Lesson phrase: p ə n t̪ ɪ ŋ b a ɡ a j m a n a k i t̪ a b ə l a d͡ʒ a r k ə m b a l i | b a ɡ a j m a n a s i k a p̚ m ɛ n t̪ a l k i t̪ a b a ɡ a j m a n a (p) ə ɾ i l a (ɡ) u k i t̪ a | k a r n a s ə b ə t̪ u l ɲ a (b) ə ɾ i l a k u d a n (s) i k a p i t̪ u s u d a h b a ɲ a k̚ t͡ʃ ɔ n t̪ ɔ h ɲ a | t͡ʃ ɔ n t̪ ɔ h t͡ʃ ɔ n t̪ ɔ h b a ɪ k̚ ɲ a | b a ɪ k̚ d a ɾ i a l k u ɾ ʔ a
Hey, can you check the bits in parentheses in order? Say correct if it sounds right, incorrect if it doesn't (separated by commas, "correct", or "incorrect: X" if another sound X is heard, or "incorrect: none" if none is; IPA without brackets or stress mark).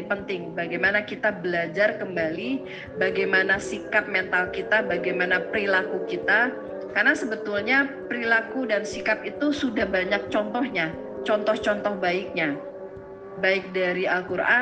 correct, incorrect: k, incorrect: p, correct